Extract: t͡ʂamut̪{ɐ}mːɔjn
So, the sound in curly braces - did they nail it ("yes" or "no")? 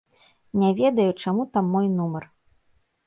no